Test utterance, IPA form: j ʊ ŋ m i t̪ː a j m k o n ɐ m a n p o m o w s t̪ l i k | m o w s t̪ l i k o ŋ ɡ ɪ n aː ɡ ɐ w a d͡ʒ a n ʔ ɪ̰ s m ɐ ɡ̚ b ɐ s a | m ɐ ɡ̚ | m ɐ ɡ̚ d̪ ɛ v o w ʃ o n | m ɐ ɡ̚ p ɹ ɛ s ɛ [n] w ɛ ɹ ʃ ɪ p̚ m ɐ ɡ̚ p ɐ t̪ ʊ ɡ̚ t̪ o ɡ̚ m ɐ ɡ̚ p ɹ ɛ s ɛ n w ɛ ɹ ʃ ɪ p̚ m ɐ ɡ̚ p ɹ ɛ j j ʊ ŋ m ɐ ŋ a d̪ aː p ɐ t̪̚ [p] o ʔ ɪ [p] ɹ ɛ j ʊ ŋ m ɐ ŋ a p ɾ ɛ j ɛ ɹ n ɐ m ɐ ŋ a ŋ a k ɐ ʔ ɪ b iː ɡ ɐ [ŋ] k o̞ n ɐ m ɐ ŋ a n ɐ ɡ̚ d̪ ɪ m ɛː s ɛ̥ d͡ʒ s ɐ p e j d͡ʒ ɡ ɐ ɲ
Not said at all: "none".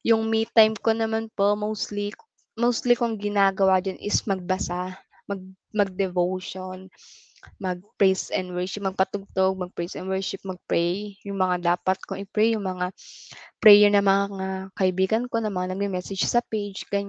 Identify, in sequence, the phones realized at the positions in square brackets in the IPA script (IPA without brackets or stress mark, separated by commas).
n, k, p, n